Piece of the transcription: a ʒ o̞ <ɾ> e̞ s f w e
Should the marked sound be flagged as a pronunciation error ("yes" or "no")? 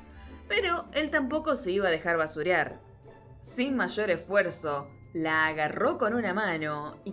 no